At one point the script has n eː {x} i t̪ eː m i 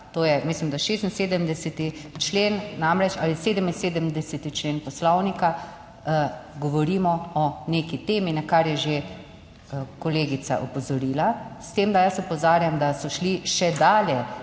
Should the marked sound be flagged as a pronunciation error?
yes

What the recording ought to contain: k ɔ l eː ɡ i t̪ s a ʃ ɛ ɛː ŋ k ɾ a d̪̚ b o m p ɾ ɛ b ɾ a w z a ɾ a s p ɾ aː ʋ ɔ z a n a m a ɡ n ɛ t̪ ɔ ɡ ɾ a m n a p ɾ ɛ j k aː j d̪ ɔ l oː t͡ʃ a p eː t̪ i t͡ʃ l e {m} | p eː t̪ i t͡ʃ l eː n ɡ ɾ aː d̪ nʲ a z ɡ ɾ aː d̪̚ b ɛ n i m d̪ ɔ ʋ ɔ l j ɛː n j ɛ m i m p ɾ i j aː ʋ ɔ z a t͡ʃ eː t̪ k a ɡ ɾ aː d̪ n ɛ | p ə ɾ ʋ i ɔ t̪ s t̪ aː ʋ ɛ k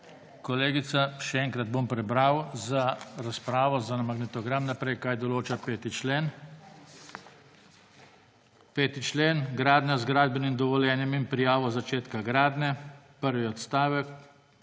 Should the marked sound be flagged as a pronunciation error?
yes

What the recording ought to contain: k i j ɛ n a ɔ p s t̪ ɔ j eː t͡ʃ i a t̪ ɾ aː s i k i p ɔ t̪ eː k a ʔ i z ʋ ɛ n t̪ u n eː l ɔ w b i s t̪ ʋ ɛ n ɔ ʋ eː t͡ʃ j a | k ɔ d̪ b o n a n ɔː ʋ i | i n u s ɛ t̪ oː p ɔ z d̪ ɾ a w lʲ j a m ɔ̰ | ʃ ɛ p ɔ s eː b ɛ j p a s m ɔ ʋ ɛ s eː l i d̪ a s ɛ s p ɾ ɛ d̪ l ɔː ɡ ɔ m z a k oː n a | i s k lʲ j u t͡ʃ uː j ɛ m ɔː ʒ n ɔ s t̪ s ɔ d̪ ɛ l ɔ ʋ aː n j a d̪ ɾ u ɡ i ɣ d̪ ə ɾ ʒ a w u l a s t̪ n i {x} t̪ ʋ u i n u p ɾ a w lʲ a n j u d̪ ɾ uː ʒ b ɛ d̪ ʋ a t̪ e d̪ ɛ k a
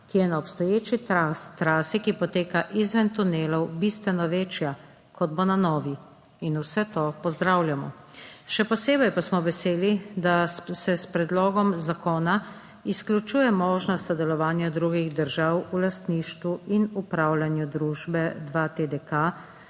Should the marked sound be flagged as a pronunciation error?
yes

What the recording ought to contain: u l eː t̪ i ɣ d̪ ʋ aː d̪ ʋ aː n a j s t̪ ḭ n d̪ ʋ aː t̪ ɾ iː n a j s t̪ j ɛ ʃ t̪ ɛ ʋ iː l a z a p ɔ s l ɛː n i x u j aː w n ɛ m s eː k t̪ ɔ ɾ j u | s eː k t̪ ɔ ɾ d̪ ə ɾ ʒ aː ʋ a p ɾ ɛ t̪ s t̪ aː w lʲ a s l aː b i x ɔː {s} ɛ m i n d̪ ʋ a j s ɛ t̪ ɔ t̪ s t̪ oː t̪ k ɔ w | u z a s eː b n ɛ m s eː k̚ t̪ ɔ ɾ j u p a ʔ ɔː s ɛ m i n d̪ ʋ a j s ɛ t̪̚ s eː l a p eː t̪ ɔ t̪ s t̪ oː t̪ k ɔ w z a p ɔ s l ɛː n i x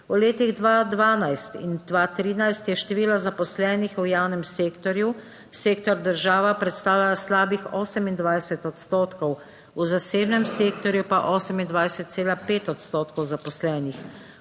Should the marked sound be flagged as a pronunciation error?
no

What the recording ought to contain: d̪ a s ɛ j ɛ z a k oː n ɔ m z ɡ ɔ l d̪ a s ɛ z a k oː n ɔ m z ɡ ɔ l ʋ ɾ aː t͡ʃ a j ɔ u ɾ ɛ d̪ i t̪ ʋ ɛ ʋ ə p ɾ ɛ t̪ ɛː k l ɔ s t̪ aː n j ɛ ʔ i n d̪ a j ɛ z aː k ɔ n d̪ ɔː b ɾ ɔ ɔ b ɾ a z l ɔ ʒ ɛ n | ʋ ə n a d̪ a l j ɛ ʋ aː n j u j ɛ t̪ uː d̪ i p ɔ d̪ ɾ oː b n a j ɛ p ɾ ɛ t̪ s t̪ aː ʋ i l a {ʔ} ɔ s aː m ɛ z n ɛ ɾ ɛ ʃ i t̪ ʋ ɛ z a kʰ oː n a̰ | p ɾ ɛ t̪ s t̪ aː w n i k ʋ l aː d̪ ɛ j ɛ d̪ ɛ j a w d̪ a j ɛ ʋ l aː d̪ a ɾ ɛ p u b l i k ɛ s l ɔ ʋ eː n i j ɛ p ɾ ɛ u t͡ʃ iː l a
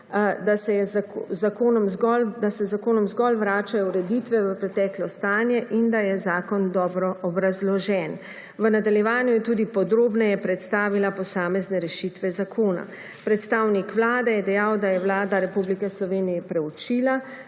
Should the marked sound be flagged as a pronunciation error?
yes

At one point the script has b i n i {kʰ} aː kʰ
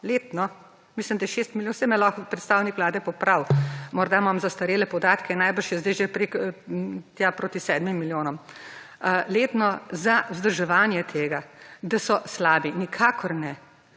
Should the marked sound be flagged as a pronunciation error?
no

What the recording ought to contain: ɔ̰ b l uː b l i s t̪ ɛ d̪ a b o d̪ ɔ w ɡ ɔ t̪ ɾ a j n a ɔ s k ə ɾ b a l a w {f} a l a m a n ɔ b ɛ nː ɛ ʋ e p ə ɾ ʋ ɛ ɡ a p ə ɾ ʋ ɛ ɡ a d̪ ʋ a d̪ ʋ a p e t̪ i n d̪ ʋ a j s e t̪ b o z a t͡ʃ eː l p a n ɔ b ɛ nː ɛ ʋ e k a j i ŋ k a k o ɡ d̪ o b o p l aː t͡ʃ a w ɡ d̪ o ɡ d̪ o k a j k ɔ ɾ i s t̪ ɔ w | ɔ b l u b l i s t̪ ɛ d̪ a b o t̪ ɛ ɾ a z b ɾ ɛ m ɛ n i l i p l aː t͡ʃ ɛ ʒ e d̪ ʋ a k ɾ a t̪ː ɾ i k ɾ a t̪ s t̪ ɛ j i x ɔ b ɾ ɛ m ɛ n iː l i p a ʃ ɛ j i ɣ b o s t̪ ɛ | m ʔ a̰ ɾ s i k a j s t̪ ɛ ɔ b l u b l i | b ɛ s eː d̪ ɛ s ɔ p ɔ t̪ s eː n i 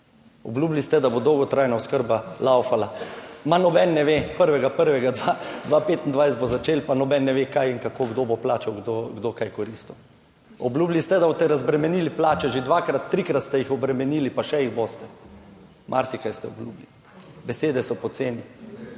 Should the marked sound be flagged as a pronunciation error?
no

